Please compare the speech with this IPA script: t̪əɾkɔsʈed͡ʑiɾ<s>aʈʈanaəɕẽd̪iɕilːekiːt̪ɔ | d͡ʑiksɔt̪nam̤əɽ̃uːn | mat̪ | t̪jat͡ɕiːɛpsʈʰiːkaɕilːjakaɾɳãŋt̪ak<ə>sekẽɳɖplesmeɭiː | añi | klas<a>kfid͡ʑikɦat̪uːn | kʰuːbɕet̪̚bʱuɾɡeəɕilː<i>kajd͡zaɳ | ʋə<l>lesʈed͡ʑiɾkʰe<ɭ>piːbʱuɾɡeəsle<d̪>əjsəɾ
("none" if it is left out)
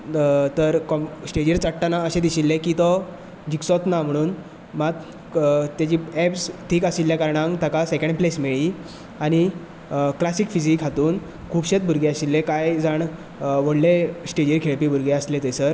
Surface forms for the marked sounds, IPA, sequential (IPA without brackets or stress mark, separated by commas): t͡s, a, i, e, ɽ, ɭ, t̪